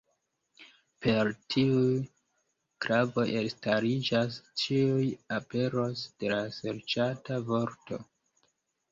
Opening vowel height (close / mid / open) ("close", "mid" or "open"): mid